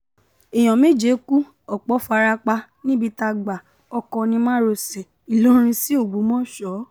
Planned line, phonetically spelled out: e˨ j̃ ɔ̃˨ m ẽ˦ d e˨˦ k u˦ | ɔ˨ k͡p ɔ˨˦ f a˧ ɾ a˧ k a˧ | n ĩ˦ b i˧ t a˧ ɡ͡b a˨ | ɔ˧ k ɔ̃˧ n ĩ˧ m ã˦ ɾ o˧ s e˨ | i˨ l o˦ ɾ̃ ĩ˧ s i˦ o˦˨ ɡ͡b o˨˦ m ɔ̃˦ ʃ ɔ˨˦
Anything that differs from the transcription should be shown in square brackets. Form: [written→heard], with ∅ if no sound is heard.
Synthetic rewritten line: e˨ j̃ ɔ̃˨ m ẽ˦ [d→d͡ʒ] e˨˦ k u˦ | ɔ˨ k͡p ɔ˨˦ f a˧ ɾ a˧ [k→k͡p] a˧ | n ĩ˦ b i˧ t a˧ ɡ͡b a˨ | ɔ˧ k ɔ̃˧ n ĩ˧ m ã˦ ɾ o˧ s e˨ | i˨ l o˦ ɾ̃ ĩ˧ s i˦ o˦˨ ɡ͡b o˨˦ m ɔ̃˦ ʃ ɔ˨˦